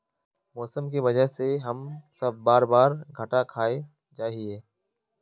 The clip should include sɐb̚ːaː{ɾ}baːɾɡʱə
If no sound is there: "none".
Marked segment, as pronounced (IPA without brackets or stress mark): ɾ